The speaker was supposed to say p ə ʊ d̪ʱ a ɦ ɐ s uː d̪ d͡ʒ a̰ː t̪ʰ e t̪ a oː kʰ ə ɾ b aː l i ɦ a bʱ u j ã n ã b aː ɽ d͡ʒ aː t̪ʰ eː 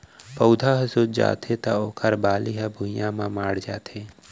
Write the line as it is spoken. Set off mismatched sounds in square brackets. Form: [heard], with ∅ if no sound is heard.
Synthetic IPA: p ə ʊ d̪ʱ a ɦ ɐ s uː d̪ d͡ʒ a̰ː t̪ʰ e t̪ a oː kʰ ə ɾ b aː l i ɦ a bʱ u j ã [m] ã [m] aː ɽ d͡ʒ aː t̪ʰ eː